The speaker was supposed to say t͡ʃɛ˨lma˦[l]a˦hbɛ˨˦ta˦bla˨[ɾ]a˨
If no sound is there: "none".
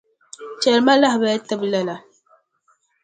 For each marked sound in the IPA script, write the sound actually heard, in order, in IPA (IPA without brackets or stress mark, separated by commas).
l, l